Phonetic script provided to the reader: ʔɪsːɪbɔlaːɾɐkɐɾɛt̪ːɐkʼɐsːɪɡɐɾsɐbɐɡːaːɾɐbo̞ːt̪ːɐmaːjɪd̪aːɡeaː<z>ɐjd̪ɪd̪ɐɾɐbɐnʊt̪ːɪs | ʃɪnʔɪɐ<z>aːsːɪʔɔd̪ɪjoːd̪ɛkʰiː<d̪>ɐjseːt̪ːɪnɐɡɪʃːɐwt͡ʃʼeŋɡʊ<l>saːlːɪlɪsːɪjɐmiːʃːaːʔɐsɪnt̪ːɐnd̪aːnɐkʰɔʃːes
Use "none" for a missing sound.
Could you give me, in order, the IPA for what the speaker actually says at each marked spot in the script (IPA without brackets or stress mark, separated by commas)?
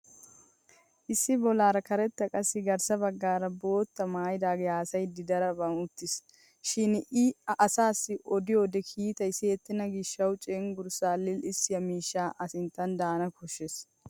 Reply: s, s, t̪, ɾ